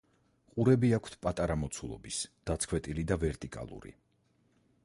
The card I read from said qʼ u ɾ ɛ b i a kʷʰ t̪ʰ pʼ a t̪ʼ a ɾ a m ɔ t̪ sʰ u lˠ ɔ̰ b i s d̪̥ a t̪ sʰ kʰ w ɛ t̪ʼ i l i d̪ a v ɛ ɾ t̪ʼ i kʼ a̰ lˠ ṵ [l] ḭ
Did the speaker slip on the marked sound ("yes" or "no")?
yes